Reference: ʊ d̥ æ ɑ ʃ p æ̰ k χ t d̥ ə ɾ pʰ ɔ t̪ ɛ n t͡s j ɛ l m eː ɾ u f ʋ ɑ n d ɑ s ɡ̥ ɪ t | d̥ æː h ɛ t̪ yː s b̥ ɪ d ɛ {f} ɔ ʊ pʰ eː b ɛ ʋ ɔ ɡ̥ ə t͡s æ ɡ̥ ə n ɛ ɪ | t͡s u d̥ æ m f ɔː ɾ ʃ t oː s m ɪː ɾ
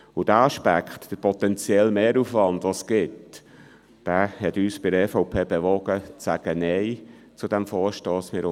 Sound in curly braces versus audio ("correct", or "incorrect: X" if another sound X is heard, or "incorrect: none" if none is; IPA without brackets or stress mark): correct